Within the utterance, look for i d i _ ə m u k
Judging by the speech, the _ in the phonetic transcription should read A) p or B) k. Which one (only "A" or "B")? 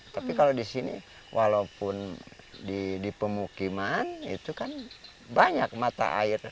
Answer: A